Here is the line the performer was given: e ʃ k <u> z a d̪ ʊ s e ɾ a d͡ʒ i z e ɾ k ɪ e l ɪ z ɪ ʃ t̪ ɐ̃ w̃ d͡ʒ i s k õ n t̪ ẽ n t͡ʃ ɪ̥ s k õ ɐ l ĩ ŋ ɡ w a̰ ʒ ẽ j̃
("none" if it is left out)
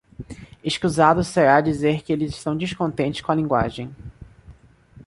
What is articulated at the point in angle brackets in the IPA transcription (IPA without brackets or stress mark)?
u